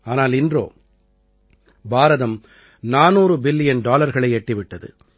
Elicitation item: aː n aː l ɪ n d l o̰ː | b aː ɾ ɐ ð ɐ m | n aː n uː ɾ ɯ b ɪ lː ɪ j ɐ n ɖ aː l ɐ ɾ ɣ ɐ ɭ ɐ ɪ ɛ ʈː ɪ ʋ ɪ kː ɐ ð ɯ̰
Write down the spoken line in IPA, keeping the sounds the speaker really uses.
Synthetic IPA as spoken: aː n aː l ɪ n d r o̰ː | b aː ɾ ɐ ð ɐ m | n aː n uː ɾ ɯ b ɪ lː ɪ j ɐ n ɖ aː l ɐ ɾ ɣ ɐ ɭ ɐ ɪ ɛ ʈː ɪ ʋ ɪ ʈː ɐ ð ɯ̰